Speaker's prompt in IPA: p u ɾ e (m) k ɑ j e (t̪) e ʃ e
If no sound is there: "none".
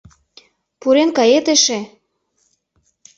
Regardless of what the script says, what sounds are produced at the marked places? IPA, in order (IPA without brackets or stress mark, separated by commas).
n, t̪